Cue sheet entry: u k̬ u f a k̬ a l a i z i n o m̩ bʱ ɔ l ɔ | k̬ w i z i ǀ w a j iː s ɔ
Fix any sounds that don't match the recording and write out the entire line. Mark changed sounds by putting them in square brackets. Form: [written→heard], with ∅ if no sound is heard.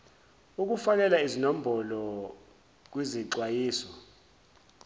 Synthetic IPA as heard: u k̬ u f a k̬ [a→ɛ] l a i z i n o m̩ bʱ ɔ l ɔ | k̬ w i z i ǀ w a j iː s ɔ